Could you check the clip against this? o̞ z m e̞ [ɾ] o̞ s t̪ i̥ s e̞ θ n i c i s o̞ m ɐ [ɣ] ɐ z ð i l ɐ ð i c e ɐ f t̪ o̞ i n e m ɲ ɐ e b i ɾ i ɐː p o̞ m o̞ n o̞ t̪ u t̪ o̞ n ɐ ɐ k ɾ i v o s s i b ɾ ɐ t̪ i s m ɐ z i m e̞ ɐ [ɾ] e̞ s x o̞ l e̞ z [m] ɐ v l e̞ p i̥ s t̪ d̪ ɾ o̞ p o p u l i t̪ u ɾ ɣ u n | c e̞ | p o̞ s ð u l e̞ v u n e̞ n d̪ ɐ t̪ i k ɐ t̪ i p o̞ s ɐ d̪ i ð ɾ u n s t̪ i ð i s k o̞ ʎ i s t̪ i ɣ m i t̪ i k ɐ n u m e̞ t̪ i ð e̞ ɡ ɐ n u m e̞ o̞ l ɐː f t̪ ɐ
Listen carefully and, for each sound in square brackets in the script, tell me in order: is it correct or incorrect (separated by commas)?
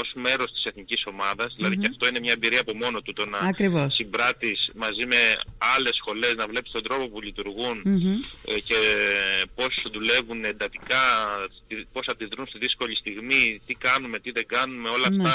correct, incorrect, incorrect, incorrect